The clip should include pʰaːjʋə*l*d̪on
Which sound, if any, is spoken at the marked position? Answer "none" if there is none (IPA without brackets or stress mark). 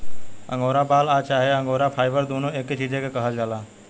ɾ